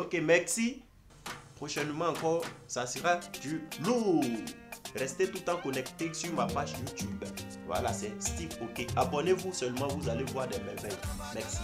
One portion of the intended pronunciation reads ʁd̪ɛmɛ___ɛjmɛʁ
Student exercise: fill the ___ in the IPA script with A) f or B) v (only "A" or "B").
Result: B